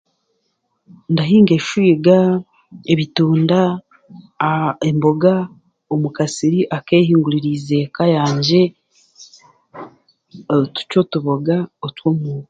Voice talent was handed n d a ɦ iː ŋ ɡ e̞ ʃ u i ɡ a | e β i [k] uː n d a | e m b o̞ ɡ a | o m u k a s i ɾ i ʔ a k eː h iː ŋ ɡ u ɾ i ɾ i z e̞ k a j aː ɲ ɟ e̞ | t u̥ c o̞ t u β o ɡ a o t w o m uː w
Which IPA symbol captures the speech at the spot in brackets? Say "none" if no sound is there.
t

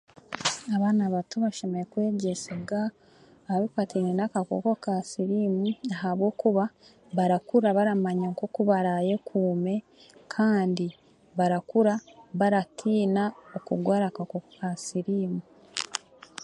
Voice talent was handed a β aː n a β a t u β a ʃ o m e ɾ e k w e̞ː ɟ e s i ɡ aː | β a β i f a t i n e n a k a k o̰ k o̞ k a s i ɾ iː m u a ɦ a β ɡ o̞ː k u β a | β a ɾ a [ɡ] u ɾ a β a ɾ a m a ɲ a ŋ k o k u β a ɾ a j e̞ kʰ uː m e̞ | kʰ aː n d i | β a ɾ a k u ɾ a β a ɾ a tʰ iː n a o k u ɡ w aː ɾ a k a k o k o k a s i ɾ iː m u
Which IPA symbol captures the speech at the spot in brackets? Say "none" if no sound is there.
k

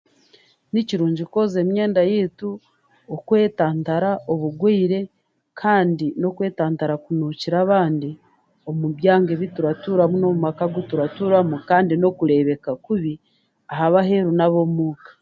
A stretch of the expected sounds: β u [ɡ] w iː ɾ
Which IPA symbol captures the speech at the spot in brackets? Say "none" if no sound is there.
ɡ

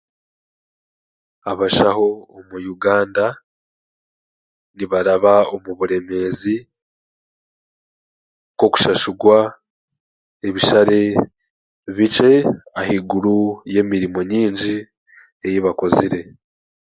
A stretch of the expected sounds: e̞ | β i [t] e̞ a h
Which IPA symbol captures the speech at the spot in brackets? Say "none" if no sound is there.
t͡ʃ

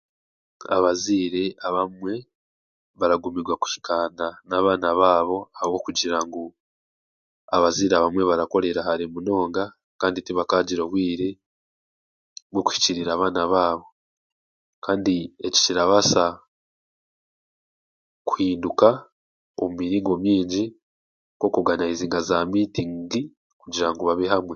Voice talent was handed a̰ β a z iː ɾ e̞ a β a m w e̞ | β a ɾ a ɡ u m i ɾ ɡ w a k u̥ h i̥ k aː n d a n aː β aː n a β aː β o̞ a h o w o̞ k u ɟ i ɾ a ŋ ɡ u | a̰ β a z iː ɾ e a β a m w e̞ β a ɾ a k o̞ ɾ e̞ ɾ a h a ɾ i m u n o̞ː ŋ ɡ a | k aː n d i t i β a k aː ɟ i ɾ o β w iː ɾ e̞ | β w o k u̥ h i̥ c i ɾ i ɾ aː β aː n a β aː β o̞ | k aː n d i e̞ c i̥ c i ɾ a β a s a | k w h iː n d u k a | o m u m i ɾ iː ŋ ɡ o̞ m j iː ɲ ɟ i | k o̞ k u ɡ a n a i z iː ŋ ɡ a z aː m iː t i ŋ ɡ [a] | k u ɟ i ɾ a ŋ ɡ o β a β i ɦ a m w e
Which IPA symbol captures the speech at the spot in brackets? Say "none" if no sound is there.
i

